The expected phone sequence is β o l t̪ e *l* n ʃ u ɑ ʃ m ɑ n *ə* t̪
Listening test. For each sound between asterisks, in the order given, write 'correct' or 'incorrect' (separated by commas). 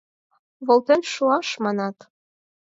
incorrect, incorrect